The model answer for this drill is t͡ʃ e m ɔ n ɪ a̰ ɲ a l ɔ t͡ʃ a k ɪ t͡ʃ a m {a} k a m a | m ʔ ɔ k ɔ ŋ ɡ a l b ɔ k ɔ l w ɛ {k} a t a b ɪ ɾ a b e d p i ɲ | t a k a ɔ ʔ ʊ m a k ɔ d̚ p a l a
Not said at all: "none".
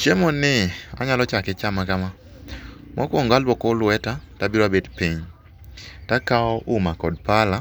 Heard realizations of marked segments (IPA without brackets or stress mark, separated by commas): a, t